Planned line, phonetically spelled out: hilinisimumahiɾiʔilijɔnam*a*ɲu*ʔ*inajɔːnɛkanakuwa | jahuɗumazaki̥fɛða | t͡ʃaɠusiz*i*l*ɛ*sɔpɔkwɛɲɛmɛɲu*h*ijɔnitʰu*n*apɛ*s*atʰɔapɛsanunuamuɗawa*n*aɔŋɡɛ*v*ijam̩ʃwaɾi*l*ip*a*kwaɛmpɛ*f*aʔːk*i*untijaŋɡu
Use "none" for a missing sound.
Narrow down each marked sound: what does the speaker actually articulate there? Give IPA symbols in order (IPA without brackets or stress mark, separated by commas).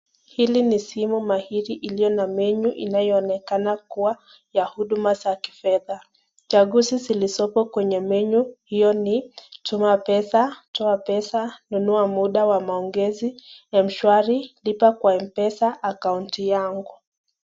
ɛ, ʔ, i, i, h, m, s, m, z, l, a, s, a